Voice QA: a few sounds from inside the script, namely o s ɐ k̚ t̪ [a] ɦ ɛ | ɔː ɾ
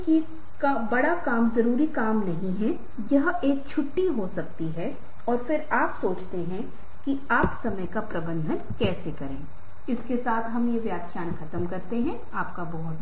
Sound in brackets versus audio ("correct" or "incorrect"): incorrect